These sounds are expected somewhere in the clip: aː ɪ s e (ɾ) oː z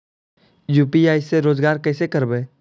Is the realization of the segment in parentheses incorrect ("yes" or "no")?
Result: no